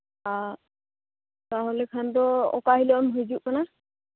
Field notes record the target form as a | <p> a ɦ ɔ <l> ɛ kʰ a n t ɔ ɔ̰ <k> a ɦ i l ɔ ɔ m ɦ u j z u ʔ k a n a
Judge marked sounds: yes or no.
no, yes, yes

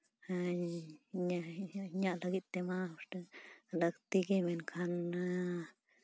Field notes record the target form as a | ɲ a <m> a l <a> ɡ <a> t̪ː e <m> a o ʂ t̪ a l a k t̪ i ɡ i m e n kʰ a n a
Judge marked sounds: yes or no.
no, yes, no, yes

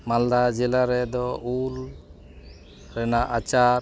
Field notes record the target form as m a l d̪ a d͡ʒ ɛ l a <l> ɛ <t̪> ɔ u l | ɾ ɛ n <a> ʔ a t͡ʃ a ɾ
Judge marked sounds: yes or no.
no, no, yes

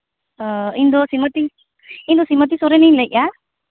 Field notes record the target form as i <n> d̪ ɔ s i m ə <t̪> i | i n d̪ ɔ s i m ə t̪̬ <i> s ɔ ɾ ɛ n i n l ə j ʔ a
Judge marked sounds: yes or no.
yes, yes, yes

